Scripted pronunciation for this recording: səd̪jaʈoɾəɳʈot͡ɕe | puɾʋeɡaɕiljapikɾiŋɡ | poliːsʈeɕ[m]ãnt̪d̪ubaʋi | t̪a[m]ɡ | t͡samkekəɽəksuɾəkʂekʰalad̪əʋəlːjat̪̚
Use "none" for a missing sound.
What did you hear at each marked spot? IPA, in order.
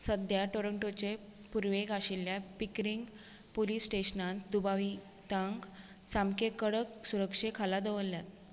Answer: n, ŋ

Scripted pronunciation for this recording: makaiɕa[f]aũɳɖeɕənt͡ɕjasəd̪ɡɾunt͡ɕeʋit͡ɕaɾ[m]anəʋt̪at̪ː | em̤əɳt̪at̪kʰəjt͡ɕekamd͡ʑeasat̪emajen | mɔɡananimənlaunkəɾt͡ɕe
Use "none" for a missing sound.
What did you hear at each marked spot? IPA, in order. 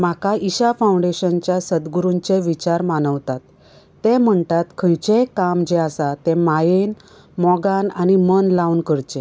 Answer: f, m

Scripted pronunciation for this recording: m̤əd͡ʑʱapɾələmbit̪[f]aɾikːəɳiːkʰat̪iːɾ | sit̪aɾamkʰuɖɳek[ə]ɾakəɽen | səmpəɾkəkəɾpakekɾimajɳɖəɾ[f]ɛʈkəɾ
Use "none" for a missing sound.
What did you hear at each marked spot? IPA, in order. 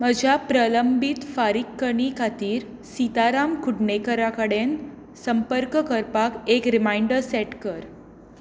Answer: f, ə, s

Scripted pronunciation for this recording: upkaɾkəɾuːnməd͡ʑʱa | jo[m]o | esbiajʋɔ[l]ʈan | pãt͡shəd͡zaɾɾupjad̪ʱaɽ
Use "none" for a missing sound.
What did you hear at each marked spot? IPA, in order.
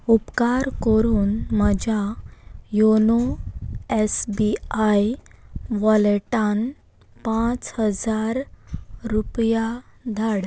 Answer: n, l

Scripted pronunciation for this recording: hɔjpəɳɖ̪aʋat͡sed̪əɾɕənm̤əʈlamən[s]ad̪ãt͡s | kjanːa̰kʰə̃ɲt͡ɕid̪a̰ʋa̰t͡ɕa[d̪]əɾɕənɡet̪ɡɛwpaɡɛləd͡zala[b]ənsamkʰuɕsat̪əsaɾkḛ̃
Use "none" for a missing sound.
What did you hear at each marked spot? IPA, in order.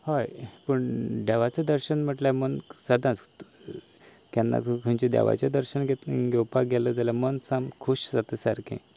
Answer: s, d̪, m

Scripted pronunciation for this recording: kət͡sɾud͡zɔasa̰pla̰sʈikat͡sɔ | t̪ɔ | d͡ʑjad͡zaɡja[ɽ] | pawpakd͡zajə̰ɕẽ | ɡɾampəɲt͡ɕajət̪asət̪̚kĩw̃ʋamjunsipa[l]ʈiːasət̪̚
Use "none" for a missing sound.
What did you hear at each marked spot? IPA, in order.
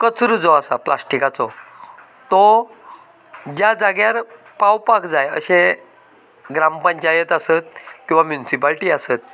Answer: ɾ, l

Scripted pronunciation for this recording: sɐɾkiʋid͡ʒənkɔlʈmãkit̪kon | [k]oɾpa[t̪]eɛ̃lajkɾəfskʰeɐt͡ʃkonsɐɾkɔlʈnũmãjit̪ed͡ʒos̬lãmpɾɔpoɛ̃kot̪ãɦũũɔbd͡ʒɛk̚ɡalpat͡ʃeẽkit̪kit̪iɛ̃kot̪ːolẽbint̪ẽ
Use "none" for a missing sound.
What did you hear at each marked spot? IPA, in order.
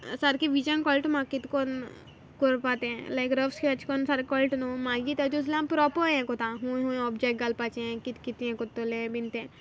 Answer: k, t̪

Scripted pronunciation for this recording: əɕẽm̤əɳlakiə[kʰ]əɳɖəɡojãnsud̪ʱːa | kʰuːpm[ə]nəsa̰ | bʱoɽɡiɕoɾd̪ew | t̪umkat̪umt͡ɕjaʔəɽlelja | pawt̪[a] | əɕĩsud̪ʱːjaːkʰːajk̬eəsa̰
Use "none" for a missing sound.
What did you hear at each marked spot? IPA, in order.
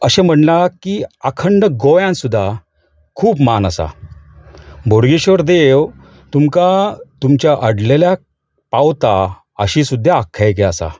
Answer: kʰ, a, a

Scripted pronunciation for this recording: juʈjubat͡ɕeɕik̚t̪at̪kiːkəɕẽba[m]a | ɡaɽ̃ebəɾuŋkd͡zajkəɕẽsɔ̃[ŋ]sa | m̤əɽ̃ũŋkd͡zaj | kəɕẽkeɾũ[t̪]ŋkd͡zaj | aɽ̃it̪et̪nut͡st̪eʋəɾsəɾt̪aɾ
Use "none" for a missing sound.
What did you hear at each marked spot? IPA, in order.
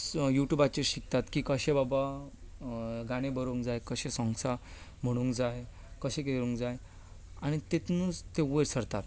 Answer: b, ŋ, none

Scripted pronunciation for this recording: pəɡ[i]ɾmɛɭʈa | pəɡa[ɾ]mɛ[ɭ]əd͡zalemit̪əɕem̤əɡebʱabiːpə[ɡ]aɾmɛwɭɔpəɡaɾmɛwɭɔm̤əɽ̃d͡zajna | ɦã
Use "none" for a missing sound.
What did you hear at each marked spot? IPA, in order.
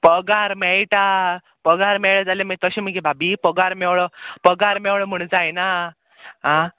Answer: a, ɾ, ɭ, ɡ

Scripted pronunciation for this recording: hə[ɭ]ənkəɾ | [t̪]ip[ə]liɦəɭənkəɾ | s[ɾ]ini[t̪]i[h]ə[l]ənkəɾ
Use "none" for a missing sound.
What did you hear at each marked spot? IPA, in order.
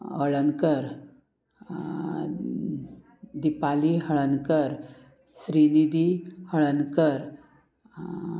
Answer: ɭ, d̪, a, ɾ, d̪, h, ɭ

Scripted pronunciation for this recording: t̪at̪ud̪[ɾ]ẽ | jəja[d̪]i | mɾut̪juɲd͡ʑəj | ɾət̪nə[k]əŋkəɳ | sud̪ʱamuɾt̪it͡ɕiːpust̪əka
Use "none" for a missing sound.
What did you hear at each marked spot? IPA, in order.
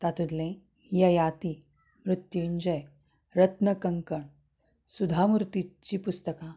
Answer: l, t̪, k

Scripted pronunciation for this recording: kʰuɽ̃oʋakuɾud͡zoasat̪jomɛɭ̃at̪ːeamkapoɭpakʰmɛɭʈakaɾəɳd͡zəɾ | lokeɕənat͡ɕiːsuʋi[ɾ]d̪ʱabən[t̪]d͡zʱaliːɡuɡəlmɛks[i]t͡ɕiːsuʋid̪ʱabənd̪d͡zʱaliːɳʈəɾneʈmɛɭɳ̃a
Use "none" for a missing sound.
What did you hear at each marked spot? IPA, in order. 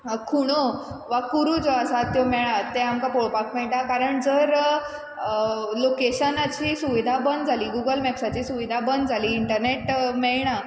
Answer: none, d̪, a

